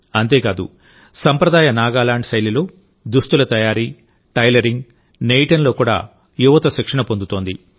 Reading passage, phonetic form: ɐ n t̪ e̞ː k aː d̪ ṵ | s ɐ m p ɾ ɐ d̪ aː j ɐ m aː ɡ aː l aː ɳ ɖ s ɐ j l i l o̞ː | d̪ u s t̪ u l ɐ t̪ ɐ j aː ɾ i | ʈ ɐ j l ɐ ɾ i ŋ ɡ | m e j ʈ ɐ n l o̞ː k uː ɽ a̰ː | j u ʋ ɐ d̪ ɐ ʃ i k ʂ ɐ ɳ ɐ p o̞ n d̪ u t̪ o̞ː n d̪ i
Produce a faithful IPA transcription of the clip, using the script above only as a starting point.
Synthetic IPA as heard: ɐ n t̪ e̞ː k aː d̪ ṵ | s ɐ m p ɾ ɐ d̪ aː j ɐ n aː ɡ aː l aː ɳ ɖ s ɐ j l i l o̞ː | d̪ u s t̪ u l ɐ t̪ ɐ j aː ɾ i | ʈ ɐ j l ɐ ɾ i ŋ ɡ | n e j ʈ ɐ n l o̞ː k uː ɽ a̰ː | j u ʋ ɐ t̪ ɐ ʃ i k ʂ ɐ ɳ ɐ p o̞ n d̪ u t̪ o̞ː n d̪ i